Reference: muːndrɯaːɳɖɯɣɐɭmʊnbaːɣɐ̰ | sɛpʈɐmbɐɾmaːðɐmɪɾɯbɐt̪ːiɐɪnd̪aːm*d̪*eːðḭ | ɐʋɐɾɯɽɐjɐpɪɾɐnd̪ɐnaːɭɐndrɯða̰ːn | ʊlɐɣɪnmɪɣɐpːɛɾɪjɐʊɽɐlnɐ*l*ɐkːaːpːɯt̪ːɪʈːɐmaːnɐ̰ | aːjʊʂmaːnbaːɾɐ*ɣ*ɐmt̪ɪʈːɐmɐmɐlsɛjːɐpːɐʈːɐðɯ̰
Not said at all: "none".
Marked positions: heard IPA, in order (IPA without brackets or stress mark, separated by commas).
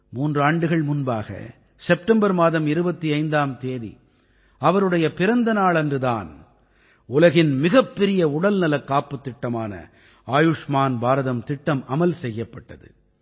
t̪, l, ð